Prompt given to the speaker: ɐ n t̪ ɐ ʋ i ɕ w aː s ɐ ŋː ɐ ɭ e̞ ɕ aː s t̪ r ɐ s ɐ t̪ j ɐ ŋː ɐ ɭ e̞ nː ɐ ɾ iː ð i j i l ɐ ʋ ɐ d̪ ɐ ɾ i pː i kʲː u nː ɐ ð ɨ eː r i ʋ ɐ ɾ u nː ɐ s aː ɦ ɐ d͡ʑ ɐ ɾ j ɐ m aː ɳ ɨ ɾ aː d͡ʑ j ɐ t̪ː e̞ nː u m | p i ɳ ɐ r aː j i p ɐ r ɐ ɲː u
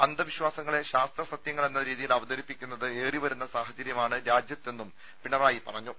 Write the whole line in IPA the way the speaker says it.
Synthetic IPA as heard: ɐ n d̪ ɐ ʋ i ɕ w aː s ɐ ŋː ɐ ɭ e̞ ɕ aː s t̪ r ɐ s ɐ t̪ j ɐ ŋː ɐ ɭ e̞ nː ɐ ɾ iː ð i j i l ɐ ʋ ɐ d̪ ɐ ɾ i pː i kʲː u nː ɐ ð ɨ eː r i ʋ ɐ ɾ u nː ɐ s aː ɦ ɐ d͡ʑ ɐ ɾ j ɐ m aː ɳ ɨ ɾ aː d͡ʑ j ɐ t̪ː e̞ nː u m | p i ɳ ɐ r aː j i p ɐ r ɐ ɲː u